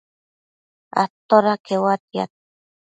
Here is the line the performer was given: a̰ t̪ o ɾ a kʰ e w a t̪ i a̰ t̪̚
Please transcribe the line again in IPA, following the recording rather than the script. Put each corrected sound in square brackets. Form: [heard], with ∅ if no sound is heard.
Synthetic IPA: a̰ t̪ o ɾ a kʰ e w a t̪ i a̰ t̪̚